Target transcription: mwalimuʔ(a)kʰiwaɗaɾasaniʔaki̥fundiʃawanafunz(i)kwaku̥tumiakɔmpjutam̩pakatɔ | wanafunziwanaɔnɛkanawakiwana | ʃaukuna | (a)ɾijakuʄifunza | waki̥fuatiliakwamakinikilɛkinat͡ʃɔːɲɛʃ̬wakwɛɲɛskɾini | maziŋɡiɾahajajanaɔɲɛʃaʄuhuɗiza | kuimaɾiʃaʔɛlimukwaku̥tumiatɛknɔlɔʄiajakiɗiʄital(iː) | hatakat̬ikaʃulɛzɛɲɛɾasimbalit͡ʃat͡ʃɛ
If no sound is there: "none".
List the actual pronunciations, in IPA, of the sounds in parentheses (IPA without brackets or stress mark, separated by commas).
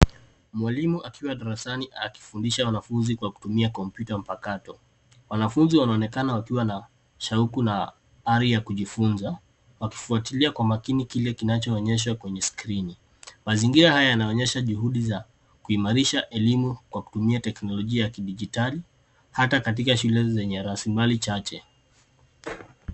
a, i, a, i